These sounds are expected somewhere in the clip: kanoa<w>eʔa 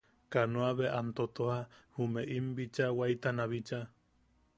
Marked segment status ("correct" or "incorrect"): incorrect